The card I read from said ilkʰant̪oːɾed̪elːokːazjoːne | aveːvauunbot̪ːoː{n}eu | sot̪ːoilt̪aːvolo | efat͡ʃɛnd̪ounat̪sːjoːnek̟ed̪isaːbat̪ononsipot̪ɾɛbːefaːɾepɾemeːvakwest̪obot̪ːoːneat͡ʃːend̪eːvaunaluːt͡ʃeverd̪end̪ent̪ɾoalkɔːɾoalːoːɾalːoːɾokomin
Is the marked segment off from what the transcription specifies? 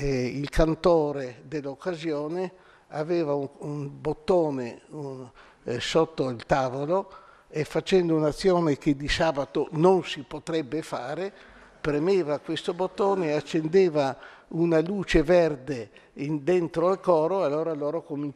no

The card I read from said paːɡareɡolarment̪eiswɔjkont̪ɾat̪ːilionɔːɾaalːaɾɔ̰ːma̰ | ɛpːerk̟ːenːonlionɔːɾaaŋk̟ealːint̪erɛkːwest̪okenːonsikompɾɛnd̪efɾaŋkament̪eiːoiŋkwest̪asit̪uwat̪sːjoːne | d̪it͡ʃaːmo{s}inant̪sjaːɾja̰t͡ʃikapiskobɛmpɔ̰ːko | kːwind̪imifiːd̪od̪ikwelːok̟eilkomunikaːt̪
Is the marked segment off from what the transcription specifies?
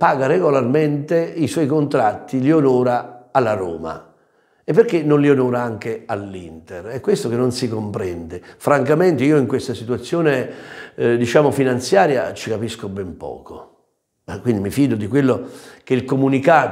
yes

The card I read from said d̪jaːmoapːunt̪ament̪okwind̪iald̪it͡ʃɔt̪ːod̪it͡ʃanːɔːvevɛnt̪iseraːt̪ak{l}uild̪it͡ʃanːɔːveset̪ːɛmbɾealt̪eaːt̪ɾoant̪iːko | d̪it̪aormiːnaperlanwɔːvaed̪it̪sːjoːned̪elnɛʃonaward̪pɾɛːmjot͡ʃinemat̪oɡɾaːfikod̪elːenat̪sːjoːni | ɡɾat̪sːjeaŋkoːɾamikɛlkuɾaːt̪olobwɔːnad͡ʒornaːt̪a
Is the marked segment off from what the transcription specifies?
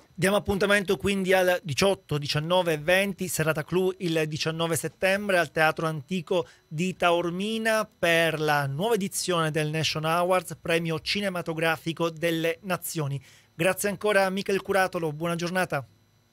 no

